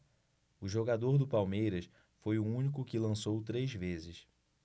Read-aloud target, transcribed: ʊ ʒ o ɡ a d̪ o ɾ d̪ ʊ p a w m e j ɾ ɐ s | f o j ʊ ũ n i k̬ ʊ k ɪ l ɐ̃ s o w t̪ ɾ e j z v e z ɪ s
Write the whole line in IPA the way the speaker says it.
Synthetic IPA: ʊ ʒ o ɡ a d̪ o ɾ d̪ ʊ p a w m e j ɾ ɐ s | f o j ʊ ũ n i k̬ ʊ k ɪ l ɐ̃ s o w t̪ ɾ e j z v e z ɪ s